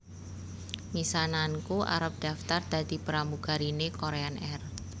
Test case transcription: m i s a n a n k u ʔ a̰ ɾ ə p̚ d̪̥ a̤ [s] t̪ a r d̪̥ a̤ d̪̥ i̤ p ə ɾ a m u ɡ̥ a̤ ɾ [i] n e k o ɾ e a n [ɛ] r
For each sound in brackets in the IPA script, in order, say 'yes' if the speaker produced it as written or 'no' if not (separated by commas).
no, yes, yes